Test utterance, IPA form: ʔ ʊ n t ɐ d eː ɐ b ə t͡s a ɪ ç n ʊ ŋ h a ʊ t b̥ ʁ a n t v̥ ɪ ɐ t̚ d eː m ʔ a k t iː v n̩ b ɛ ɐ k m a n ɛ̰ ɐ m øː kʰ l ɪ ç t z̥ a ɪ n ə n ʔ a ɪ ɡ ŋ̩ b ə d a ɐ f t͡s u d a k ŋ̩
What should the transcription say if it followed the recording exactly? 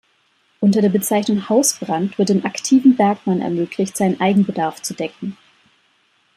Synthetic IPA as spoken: ʔ ʊ n t ɐ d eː ɐ b ə t͡s a ɪ ç n ʊ ŋ h a ʊ s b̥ ʁ a n t v̥ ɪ ɐ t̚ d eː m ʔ a k tʰ iː v n̩ b ɛ ɐ k m a n ɛ̰ ɐ m øː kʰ l ɪ ç t z̥ a ɪ n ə n ʔ a ɪ ɡ ŋ̩ b ə d a ɐ f t͡s u d ɛ k ŋ̩